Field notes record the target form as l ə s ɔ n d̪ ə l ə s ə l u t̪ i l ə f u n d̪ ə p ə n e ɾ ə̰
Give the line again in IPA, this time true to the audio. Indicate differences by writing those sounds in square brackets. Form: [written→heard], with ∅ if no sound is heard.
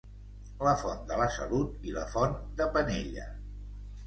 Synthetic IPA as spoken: l ə [s→f] ɔ n d̪ ə l ə s ə l u t̪ i l ə f [u→ɔ] n d̪ ə p ə n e [ɾ→ʎ] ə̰